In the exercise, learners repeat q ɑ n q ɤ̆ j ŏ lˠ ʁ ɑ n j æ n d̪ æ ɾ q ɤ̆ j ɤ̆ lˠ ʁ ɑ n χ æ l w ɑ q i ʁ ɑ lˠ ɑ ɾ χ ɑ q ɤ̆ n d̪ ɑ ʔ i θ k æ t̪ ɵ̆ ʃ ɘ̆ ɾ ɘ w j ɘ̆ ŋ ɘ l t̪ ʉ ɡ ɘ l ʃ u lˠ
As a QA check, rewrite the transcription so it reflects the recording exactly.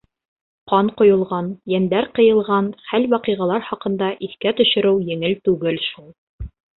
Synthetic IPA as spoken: q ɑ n q ŏ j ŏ lˠ ʁ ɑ n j æ n d̪ æ ɾ q ɤ̆ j ɤ̆ lˠ ʁ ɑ n χ æ l w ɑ q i ʁ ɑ lˠ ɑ ɾ χ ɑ q ɤ̆ n d̪ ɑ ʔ i θ k æ t̪ ɵ̆ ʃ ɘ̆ ɾ ɘ w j ɘ̆ ŋ ɘ l t̪ ʉ ɡ ɘ l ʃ u lˠ